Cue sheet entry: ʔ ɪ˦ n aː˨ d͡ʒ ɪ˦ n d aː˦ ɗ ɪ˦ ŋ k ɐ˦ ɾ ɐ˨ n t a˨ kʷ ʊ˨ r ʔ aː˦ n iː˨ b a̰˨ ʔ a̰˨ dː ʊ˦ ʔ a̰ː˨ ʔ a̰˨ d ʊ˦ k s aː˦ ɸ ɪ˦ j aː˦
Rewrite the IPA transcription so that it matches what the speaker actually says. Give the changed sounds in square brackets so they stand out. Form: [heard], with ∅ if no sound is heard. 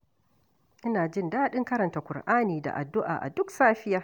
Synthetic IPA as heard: ʔ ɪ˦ n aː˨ d͡ʒ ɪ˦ n d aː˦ ɗ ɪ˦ ŋ k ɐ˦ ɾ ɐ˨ n t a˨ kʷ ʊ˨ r ʔ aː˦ n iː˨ [d] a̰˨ ʔ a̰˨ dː ʊ˦ ʔ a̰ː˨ ʔ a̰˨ d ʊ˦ k s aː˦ ɸ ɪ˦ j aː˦